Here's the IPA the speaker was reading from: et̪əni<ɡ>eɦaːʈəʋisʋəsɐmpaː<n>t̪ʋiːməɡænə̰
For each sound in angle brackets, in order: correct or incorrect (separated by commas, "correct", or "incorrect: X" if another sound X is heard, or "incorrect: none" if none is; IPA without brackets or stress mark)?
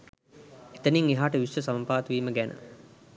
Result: incorrect: ŋ, incorrect: none